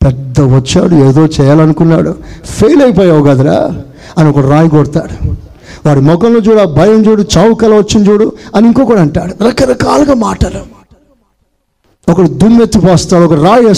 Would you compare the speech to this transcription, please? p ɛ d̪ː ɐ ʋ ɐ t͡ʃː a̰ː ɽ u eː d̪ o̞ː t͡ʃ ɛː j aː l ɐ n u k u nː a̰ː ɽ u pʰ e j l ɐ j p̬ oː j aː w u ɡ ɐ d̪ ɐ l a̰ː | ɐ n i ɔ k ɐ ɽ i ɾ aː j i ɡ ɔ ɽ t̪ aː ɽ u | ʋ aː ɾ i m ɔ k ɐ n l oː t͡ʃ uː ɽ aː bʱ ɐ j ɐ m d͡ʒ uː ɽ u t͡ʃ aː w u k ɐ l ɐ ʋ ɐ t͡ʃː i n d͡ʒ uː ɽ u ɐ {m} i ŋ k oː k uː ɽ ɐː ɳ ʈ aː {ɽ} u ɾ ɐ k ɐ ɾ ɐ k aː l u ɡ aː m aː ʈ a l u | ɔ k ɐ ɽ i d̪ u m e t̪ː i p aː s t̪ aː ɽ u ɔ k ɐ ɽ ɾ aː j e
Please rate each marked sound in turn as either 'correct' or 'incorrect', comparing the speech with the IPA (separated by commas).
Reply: incorrect, correct